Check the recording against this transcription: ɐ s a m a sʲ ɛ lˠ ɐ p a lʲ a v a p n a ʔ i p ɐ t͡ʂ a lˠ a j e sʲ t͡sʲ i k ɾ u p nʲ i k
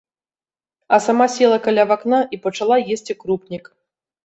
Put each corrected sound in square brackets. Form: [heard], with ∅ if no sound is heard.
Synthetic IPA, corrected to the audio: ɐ s a m a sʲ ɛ lˠ ɐ [k] a lʲ a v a [k] n a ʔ i p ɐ t͡ʂ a lˠ a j e sʲ t͡sʲ i k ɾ u p nʲ i k